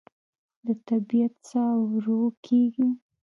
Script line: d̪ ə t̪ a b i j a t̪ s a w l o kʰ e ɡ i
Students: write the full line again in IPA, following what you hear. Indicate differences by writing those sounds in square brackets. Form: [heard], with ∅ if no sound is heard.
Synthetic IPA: d̪ ə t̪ a b i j a t̪ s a w [ɾ] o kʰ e ɡ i

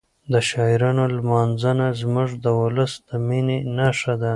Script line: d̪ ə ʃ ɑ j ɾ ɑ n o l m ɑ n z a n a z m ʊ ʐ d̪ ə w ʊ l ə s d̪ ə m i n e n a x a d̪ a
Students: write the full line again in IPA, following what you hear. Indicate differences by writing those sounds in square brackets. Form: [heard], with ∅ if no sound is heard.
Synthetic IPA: d̪ ə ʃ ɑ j ɾ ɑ n o l m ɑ n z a n a z m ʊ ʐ d̪ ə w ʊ l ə s d̪ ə m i n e n a [ʂ] a d̪ a

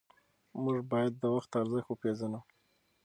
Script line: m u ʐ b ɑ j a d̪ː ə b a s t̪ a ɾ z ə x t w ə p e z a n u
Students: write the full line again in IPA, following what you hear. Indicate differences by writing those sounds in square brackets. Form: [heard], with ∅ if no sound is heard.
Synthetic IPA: m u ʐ b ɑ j a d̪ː ə [w] a [x] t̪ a ɾ z ə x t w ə p e z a n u

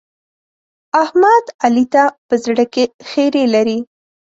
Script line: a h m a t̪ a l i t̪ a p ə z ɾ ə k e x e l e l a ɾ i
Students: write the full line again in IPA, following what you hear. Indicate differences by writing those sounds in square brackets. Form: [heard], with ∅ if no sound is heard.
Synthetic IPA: a h m a [d̪] a l i t̪ a p ə z [ɽ] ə k e x e [ɾ] e l a ɾ i

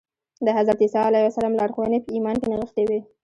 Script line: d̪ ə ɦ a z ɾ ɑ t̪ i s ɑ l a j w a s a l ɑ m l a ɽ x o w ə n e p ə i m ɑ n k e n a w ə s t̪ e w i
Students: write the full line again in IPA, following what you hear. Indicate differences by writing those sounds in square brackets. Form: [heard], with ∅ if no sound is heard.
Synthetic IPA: d̪ ə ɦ a z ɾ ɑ t̪ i s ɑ l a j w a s a l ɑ m l [ɑ] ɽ x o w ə n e p ə i m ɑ n k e n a [ɣ] ə [x] t̪ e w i

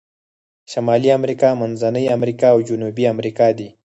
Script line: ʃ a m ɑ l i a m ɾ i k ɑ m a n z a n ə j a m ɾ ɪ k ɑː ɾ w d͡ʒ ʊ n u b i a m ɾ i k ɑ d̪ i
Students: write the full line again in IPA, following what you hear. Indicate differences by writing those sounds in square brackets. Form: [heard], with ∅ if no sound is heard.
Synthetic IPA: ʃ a m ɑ l i a m ɾ i k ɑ m a n z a n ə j a m ɾ [i] k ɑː [∅] w d͡ʒ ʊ n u b i a m ɾ i k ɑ d̪ i

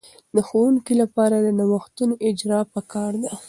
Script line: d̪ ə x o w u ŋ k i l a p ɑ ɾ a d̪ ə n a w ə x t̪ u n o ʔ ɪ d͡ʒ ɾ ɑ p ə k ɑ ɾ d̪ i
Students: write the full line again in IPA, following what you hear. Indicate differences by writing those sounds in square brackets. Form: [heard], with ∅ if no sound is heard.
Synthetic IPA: d̪ ə x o w u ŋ k i l a p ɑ ɾ a d̪ ə n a w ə x t̪ u n o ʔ ɪ d͡ʒ ɾ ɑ p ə k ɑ ɾ d̪ [a]

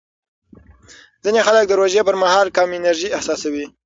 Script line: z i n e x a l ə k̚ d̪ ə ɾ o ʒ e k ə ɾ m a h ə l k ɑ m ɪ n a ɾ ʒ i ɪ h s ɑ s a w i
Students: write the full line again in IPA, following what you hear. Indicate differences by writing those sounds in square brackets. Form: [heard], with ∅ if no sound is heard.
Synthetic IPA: z i n e x a l ə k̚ d̪ ə ɾ o ʒ e [p] ə ɾ m a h [ɑ] l k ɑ m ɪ n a ɾ ʒ i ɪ h s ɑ s a w i

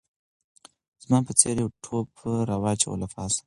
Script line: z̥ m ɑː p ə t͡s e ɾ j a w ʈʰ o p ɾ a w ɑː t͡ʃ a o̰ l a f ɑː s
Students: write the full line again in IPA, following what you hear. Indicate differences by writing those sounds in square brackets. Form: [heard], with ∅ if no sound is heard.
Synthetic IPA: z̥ m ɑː p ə t͡s e ɾ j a w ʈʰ o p ɾ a w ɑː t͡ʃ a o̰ l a f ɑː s

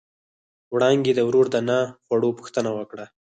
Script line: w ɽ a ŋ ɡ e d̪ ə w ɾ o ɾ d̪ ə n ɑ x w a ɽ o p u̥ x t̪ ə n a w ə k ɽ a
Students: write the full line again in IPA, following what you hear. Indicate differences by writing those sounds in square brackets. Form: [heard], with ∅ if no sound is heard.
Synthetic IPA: w ɽ [ɑ] ŋ ɡ e d̪ ə w ɾ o ɾ d̪ ə n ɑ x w a ɽ o p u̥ x t̪ ə n a w ə k ɽ a

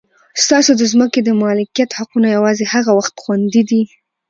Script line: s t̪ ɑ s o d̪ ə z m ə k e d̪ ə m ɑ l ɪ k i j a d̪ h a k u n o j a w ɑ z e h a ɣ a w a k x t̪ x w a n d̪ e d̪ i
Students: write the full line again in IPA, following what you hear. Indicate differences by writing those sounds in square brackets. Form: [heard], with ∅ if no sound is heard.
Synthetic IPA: s t̪ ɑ s o d̪ ə z m ə k e d̪ ə m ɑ l ɪ k i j a [t̪] h a [q] u n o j a w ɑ z e h a ɣ a w a [∅] x t̪ x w a n d̪ [i] d̪ i

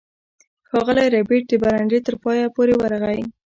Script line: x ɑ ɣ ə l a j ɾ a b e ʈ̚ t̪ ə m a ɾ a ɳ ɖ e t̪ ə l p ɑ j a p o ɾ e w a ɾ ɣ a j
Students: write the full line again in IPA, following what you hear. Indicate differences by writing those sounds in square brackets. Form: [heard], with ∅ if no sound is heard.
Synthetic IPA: x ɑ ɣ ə l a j ɾ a b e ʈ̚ [d̪] ə [b] a ɾ a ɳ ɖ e t̪ ə [ɾ] p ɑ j a p o ɾ e w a ɾ ɣ a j

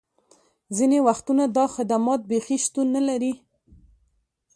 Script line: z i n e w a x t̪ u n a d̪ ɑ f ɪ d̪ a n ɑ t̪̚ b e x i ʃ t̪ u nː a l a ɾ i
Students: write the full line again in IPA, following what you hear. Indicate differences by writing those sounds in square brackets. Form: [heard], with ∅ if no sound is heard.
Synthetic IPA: z i n e w a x t̪ u n a d̪ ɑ [x] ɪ d̪ a [m] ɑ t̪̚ b e x i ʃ t̪ u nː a l a ɾ i

